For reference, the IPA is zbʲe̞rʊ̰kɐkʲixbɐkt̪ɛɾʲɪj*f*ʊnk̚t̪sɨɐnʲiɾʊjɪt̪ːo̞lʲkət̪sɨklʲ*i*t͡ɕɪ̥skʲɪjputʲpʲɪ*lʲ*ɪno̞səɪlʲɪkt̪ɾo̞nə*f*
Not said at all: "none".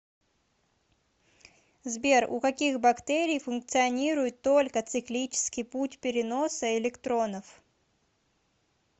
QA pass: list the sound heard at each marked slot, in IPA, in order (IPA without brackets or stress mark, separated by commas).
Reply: f, i, ɾʲ, f